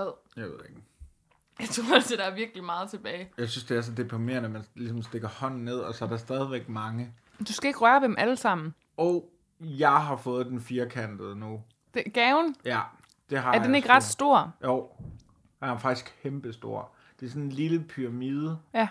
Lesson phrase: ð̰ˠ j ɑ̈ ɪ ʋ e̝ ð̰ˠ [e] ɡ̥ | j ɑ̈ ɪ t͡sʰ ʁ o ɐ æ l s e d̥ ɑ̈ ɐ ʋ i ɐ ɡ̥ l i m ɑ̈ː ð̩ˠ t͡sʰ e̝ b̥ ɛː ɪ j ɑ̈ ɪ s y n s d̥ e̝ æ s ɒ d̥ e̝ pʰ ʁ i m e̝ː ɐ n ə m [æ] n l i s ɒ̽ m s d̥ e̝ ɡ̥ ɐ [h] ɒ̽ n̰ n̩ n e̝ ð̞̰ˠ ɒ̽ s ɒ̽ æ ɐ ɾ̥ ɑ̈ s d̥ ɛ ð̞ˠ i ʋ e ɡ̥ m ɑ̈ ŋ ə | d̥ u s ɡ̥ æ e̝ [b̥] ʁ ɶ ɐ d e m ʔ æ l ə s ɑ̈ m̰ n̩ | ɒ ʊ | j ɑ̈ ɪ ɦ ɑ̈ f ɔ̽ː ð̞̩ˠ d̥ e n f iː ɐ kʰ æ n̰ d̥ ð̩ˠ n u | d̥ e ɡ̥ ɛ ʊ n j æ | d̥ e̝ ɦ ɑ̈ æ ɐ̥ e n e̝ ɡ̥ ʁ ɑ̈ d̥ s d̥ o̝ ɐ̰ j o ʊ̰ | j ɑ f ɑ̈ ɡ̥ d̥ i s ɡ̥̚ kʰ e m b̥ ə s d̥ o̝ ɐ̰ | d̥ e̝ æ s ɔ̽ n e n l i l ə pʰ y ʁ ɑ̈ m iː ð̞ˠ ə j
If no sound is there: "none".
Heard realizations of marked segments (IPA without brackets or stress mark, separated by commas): e, æ, h, ɡ̥